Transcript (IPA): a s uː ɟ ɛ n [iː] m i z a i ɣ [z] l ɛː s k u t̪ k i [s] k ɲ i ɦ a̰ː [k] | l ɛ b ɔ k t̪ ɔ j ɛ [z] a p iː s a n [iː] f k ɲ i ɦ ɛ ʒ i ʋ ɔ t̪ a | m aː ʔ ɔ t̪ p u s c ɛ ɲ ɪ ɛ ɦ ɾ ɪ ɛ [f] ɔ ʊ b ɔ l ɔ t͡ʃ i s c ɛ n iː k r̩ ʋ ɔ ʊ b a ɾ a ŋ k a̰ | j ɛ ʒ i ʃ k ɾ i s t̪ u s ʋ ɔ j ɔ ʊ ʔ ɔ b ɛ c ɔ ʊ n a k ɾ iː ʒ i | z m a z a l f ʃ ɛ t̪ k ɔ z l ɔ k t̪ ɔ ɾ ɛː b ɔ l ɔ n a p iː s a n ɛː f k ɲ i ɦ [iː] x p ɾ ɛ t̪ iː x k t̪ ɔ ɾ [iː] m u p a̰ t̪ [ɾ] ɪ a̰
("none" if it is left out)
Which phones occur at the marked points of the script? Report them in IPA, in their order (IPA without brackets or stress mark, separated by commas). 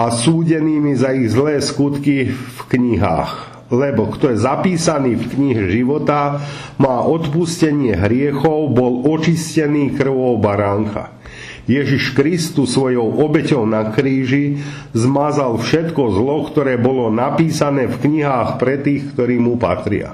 iː, z, f, x, z, iː, x, aː, iː, ɾ